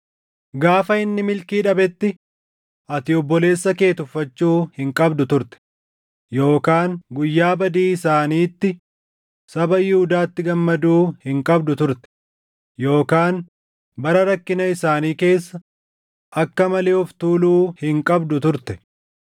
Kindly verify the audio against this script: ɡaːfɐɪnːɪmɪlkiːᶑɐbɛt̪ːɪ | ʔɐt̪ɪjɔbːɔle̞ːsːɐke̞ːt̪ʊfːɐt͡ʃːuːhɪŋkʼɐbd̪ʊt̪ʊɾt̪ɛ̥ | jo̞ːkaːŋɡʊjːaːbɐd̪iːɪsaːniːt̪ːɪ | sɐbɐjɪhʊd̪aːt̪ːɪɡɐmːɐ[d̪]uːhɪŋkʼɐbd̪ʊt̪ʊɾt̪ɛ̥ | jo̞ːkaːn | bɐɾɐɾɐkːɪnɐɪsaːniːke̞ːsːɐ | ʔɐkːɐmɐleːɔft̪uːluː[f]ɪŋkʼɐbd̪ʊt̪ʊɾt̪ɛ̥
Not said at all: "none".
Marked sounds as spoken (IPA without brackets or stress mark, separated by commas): d̪, h